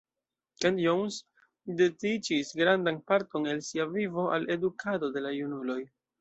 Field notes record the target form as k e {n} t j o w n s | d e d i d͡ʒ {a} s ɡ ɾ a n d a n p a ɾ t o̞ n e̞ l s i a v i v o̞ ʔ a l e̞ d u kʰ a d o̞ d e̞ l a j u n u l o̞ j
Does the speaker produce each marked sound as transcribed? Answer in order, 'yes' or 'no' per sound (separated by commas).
yes, no